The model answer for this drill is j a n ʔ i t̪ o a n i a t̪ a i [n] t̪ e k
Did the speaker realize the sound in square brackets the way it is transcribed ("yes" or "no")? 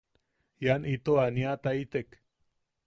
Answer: no